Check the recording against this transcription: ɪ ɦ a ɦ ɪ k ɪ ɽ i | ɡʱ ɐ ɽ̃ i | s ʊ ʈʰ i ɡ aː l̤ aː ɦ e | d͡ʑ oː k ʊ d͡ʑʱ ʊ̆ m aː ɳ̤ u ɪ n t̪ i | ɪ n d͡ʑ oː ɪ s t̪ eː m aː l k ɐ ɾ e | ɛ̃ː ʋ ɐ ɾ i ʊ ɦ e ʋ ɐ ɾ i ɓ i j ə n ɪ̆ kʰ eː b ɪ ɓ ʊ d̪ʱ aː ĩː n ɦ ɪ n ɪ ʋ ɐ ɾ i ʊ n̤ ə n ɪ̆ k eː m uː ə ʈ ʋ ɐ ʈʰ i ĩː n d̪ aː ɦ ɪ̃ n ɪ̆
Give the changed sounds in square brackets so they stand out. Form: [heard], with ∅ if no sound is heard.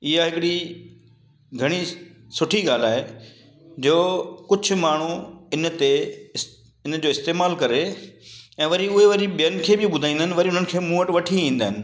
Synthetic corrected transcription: ɪ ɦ a ɦ ɪ k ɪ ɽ i | ɡʱ ɐ ɽ̃ i | s ʊ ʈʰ i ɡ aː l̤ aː ɦ e | d͡ʑ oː k ʊ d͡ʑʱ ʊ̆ m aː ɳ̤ u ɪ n t̪ [e] | ɪ n d͡ʑ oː ɪ s t̪ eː m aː l k ɐ ɾ e | ɛ̃ː ʋ ɐ ɾ i ʊ ɦ e ʋ ɐ ɾ i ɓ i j ə n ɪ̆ kʰ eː b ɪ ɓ ʊ d̪ʱ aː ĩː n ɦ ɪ n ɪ ʋ ɐ ɾ i ʊ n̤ ə n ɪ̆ [kʰ] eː m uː ə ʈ ʋ ɐ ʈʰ i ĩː n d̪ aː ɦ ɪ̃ n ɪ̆